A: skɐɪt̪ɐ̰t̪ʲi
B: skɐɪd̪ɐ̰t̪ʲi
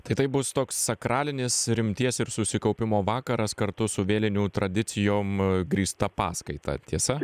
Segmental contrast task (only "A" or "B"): A